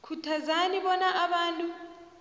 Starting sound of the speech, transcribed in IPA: kʰ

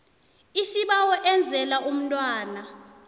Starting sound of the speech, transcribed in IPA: i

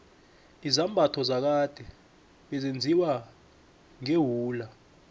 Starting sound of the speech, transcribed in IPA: i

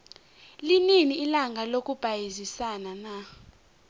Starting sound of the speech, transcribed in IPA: l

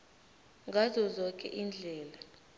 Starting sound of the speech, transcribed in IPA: ŋ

